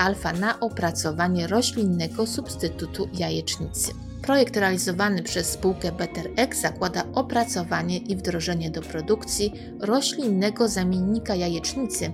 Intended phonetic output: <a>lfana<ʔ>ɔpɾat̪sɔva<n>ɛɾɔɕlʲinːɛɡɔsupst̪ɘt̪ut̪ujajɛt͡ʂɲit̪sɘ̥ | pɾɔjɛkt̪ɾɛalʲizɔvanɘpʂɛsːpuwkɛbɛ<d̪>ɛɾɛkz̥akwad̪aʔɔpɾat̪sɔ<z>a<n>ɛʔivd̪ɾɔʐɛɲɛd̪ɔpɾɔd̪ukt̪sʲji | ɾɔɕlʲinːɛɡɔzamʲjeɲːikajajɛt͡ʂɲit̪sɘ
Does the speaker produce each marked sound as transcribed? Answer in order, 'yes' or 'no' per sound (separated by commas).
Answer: yes, yes, no, no, no, no